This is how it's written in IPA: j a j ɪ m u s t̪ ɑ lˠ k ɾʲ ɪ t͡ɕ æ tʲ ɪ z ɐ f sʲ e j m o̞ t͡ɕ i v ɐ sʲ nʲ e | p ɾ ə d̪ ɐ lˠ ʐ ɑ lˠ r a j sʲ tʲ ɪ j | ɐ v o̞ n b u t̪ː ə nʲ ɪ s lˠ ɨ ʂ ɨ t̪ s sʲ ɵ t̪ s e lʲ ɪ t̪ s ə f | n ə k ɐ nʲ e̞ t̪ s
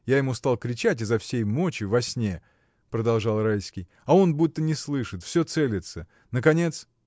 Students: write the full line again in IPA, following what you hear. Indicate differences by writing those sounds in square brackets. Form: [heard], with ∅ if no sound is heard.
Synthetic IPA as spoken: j a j ɪ m u s t̪ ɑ lˠ k ɾʲ ɪ t͡ɕ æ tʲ ɪ z ɐ f sʲ e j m o̞ t͡ɕ [ɪ] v ɐ sʲ nʲ e | p ɾ ə d̪ ɐ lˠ ʐ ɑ lˠ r a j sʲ [kʲ] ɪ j | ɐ [∅] o̞ n b u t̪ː ə nʲ ɪ s lˠ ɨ ʂ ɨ t̪ [f] sʲ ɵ t̪ s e lʲ ɪ t̪ s ə [∅] | n ə k ɐ nʲ e̞ t̪ s